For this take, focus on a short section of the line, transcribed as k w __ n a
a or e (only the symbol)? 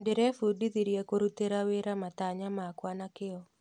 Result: a